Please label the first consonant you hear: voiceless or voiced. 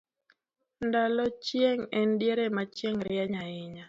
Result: voiced